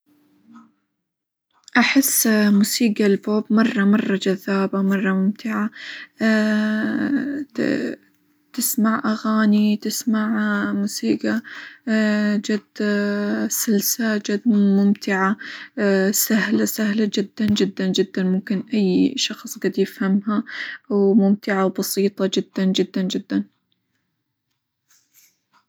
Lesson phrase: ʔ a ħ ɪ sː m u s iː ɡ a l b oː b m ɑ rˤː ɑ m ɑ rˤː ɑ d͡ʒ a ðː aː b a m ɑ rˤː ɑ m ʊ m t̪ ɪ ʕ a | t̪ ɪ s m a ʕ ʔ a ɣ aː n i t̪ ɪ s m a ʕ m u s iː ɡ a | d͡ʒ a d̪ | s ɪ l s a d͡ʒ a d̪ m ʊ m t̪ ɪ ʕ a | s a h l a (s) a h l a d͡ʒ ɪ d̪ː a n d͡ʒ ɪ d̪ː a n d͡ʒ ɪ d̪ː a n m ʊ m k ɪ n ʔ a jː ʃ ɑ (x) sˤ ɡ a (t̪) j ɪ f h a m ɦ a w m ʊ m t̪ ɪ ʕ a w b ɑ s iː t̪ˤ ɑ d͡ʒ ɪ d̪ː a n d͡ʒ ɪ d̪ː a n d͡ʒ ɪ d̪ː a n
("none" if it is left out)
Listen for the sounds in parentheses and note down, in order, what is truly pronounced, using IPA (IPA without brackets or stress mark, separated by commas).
s, x, d̪